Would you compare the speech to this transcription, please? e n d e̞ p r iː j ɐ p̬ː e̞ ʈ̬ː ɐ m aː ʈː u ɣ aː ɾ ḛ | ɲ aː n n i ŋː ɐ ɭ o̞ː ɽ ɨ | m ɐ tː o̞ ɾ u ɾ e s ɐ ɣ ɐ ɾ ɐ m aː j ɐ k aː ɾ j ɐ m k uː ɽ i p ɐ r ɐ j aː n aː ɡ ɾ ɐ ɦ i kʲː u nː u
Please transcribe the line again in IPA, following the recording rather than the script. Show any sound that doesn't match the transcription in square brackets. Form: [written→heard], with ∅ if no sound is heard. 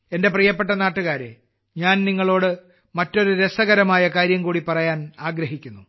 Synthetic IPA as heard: e n d e̞ p r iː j ɐ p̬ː e̞ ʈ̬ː ɐ [m→n] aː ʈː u ɣ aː ɾ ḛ | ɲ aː n n i ŋː ɐ ɭ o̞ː ɽ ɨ | m ɐ tː o̞ ɾ u ɾ e s ɐ ɣ ɐ ɾ ɐ m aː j ɐ k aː ɾ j ɐ m k uː ɽ i p ɐ r ɐ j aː n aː ɡ ɾ ɐ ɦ i kʲː u nː u